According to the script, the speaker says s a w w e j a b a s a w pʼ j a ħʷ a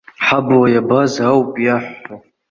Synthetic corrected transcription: ħ a b w a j a b a z a w pʼ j a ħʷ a

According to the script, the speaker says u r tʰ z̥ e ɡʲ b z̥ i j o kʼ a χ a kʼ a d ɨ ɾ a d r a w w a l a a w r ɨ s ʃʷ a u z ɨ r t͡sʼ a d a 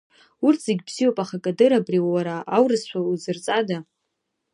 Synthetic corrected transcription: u r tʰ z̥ e ɡʲ b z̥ i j o pʼ a χ a kʼ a d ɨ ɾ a b r i w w a ɾ a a w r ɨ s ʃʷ a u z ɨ r t͡sʼ a d a

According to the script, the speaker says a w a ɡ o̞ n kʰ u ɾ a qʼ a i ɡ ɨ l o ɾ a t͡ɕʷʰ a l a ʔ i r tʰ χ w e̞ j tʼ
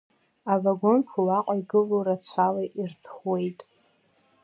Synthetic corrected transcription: a v a ɡ o̞ n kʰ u l a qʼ a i ɡ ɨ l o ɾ a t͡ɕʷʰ a l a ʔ i r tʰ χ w e̞ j tʼ

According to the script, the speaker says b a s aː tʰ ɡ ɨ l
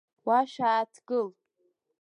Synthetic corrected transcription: w a ʃ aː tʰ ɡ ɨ l

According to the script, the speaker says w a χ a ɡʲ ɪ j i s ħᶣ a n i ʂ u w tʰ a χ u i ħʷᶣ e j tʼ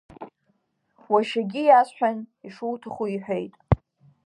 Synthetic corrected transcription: w a ʃ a ɡʲ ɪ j a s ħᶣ a n i ʂ u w tʰ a χ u i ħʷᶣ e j tʼ

